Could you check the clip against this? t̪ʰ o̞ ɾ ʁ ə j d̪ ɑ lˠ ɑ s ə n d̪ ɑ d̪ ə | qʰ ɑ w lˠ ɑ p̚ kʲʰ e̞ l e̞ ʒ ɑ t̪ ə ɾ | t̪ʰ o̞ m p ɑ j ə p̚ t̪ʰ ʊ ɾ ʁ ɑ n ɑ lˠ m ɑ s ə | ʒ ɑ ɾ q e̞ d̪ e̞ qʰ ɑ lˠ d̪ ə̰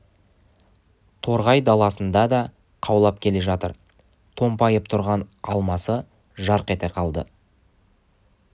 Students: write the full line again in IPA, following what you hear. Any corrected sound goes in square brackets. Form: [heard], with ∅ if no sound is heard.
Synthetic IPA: t̪ʰ o̞ ɾ ʁ [ɑ] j d̪ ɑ lˠ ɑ s ə n d̪ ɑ d̪ [ɑ] | qʰ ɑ w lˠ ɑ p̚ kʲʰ e̞ l e̞ ʒ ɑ t̪ ə ɾ | t̪ʰ o̞ m p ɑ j ə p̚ t̪ʰ ʊ ɾ ʁ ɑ n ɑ lˠ m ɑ s ə | ʒ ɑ ɾ q e̞ [t̪] e̞ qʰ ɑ lˠ d̪ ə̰